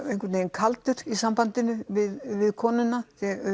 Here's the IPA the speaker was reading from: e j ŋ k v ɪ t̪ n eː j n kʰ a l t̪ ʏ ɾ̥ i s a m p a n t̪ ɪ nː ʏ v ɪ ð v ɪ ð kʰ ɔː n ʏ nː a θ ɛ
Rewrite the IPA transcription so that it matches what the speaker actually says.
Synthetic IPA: e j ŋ k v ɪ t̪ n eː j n kʰ a l t̪ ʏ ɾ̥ i s a m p a n t̪ ɪ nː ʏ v ɪ ð v ɪ ð kʰ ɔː n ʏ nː a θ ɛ